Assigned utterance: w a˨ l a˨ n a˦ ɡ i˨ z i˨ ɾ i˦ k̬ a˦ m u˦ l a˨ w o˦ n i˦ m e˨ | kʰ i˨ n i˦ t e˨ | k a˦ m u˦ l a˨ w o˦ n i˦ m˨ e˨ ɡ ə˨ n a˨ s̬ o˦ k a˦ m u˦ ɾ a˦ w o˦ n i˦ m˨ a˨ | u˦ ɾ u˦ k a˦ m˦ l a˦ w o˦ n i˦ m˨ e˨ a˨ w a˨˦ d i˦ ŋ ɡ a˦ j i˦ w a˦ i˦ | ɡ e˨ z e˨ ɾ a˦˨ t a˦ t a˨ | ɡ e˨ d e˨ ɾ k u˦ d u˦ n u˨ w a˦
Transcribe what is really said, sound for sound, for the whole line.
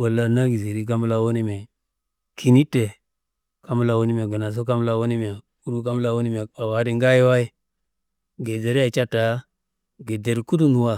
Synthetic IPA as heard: w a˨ l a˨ n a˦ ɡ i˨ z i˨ ɾ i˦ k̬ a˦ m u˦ l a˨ w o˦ n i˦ m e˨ | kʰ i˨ n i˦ t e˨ | k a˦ m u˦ l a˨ w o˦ n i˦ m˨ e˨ ɡ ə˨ n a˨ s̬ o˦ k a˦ m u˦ l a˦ w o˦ n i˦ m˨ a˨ | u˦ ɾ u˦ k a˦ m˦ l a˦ w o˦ n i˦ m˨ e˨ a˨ w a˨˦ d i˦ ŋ ɡ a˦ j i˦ w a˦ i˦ | ɡ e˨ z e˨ ɾ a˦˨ t͡ʃ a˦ t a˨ | ɡ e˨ d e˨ ɾ k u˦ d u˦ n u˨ w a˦